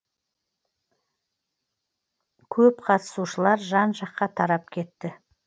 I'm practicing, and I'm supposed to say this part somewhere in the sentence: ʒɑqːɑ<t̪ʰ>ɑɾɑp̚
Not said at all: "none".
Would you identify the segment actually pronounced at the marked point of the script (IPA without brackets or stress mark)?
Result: t̪ʰ